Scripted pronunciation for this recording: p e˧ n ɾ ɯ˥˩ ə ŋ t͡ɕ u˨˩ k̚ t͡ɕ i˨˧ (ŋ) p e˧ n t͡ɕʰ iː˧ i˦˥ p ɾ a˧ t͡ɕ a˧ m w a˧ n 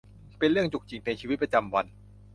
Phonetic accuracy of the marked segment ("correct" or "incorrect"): correct